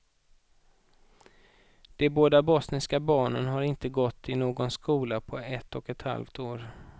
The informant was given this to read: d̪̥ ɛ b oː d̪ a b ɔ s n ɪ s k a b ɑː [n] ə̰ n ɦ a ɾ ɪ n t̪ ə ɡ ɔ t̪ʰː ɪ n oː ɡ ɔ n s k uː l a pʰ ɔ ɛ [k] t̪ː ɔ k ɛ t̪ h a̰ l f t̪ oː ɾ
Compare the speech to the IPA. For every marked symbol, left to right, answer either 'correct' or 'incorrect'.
incorrect: ɳ, incorrect: none

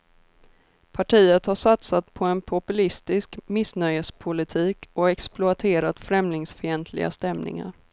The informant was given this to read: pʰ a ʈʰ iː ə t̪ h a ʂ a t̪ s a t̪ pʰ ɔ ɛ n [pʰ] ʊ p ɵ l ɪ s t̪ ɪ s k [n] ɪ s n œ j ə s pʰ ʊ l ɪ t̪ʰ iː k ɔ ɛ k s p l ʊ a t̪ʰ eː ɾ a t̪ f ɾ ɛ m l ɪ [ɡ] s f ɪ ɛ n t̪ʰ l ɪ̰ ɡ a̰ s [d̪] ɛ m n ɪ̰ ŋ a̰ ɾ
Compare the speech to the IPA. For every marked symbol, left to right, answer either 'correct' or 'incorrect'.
correct, incorrect: m, incorrect: ŋ, incorrect: t̪

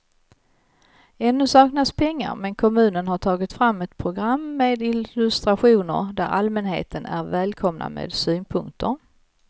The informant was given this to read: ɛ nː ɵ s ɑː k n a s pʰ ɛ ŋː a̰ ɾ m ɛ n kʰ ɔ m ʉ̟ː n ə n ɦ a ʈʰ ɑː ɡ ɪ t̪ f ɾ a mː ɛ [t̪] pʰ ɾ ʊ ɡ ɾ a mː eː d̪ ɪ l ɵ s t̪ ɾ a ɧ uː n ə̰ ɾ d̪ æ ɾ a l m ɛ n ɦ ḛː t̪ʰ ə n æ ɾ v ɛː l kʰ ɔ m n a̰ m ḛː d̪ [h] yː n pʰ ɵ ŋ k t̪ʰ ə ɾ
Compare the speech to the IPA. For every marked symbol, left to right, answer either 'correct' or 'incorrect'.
correct, incorrect: s

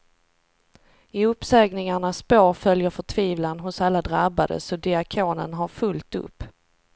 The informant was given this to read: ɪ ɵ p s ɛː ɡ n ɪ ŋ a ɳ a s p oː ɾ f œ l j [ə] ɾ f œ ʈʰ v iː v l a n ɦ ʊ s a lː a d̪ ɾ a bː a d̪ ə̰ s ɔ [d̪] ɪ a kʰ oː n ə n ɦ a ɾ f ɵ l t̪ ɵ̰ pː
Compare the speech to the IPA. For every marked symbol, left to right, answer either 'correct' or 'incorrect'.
correct, correct

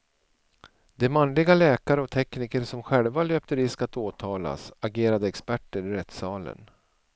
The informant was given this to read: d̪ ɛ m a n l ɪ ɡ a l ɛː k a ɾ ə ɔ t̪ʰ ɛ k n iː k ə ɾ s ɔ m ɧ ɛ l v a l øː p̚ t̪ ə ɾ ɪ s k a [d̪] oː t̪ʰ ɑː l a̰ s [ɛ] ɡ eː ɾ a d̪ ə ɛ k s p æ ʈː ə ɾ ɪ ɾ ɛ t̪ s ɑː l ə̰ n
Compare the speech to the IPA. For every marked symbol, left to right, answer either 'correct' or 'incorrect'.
incorrect: t̪, incorrect: a

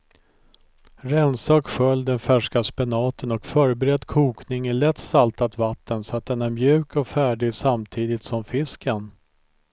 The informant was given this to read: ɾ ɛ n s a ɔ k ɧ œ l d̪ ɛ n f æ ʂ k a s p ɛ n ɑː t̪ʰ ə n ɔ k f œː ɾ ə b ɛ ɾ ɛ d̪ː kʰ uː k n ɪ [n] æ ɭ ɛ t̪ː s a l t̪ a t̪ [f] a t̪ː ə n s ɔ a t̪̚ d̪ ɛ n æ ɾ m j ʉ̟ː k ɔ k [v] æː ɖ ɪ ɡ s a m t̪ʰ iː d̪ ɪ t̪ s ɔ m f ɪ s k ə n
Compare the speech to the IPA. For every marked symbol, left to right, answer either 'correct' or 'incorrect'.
incorrect: ŋ, incorrect: v, incorrect: f

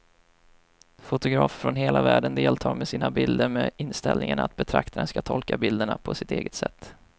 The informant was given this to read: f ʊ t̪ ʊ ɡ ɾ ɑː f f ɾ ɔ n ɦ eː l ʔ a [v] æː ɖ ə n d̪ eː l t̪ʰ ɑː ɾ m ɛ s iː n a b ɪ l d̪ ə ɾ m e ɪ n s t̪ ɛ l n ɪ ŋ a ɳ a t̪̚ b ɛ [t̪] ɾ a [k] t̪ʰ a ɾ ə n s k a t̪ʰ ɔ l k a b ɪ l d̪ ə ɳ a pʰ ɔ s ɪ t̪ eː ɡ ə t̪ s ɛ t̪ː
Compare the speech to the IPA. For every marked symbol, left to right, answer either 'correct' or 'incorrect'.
correct, incorrect: t̪ʰ, correct

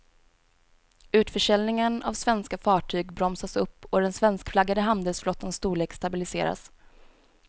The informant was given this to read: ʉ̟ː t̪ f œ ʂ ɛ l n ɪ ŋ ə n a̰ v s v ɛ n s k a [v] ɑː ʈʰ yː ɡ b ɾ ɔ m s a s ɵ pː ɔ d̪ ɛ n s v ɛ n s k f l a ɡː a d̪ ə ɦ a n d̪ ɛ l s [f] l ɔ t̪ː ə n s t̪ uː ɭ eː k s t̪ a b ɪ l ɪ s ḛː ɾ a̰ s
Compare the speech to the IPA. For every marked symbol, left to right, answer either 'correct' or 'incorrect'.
incorrect: f, correct

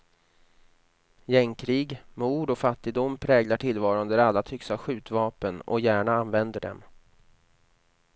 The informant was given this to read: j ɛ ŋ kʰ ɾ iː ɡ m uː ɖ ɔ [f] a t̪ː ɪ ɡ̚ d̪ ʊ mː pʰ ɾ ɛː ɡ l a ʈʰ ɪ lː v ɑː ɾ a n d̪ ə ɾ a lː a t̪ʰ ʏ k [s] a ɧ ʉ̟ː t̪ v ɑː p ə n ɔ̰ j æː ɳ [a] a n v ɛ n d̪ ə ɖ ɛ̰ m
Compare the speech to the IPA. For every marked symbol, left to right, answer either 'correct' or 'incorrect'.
correct, correct, correct

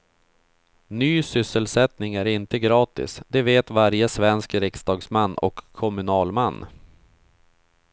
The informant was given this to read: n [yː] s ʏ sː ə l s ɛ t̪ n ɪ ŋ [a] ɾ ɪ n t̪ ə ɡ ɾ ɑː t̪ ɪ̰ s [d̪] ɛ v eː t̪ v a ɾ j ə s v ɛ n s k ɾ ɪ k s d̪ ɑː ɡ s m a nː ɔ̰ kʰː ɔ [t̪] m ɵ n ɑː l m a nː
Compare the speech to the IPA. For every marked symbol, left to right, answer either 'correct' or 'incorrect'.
correct, incorrect: æ, correct, incorrect: none

